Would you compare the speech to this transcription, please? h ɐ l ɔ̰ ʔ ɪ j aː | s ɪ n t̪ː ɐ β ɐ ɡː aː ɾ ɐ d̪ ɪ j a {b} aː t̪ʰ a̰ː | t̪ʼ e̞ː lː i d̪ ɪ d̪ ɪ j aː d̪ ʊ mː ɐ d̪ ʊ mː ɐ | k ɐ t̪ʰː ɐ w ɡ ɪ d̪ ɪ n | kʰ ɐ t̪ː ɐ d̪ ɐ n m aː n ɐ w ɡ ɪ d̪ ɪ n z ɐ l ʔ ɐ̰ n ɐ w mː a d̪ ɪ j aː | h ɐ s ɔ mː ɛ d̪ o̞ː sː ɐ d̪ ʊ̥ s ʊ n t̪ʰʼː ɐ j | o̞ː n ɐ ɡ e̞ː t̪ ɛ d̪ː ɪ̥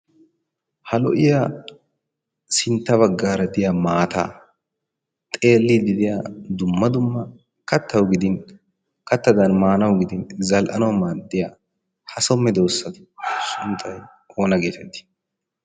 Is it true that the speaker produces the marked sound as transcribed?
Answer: no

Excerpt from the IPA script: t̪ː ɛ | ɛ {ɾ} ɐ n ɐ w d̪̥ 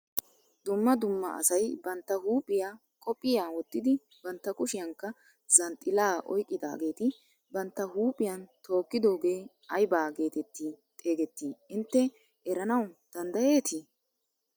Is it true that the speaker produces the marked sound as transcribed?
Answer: yes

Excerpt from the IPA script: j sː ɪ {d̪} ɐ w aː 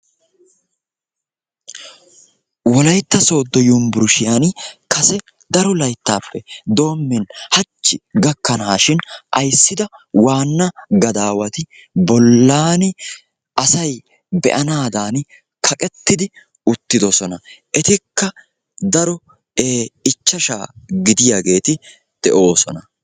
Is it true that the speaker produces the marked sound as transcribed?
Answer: yes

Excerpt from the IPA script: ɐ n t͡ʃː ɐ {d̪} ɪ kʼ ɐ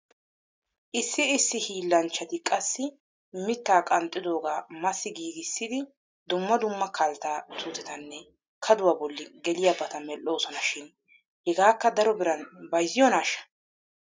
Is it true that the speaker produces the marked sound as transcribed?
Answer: no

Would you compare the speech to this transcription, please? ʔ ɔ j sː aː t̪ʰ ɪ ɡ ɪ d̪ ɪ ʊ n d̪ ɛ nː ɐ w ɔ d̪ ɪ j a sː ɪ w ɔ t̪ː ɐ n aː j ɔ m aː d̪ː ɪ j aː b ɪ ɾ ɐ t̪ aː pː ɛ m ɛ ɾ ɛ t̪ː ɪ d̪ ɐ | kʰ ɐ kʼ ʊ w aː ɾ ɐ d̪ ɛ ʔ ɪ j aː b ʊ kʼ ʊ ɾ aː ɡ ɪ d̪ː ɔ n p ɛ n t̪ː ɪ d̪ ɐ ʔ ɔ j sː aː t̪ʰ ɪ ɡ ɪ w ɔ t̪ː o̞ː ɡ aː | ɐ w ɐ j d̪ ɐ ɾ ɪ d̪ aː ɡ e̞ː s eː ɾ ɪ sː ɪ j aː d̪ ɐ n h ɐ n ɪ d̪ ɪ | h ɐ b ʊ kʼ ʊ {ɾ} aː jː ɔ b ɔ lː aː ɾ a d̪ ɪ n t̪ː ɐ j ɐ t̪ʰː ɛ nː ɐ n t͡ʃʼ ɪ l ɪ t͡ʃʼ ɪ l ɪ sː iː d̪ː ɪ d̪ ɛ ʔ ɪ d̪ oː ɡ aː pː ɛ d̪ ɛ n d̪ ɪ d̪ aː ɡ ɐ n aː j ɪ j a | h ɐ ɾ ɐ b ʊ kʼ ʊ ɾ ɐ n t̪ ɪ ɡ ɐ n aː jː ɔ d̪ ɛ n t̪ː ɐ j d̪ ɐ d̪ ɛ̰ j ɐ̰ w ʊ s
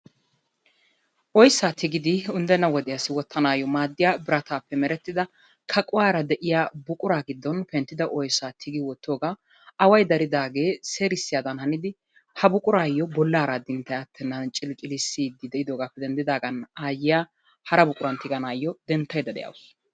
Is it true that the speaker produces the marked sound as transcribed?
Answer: yes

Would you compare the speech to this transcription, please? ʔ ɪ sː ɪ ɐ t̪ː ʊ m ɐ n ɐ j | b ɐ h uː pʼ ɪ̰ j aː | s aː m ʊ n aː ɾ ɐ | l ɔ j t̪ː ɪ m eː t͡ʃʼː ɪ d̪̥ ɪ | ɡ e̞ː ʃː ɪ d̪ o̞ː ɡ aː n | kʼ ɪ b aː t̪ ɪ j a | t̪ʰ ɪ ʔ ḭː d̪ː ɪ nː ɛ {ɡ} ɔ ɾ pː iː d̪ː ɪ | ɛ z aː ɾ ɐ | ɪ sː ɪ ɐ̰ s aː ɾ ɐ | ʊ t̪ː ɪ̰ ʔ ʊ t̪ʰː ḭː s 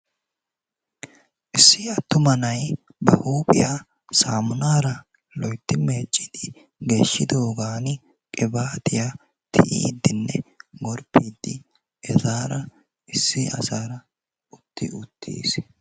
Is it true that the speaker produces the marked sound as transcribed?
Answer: yes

